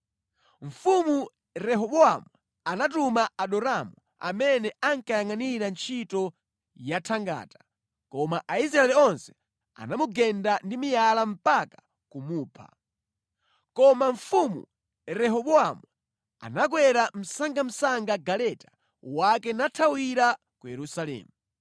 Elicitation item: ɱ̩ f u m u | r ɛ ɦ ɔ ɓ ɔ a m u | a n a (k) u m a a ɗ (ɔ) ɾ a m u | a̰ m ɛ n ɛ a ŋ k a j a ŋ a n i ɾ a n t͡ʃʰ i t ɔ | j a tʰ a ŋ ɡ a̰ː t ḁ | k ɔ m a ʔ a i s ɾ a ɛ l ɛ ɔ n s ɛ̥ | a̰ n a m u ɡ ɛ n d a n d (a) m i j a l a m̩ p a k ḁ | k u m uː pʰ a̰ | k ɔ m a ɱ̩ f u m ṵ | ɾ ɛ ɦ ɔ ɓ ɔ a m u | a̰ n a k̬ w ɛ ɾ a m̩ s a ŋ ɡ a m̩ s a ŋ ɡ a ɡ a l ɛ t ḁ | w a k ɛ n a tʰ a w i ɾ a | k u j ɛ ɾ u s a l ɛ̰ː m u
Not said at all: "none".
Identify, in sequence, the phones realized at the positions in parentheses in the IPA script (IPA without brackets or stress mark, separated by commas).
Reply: t, ɔ, i